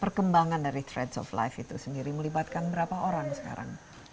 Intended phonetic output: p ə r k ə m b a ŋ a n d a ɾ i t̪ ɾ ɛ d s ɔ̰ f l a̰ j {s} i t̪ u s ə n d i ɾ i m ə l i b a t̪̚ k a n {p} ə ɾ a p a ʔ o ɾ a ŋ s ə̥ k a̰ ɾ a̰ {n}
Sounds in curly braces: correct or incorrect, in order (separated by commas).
incorrect, incorrect, incorrect